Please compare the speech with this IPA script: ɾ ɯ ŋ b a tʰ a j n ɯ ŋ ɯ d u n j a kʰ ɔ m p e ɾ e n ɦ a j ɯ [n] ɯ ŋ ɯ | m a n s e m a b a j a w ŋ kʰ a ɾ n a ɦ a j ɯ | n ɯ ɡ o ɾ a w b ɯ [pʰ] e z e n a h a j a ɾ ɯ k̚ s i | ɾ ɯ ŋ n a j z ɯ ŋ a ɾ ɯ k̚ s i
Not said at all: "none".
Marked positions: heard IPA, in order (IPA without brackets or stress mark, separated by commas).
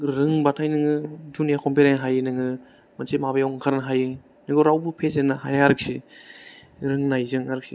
n, pʰ